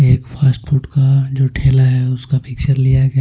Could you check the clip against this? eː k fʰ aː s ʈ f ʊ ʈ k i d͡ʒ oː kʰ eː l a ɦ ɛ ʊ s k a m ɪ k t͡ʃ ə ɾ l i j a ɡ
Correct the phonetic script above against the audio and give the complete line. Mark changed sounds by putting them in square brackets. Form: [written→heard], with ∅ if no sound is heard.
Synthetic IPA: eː k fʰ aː s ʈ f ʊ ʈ k [i→a] d͡ʒ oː [kʰ→ʈʰ] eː l a ɦ ɛ ʊ s k a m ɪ k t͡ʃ ə ɾ l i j a ɡ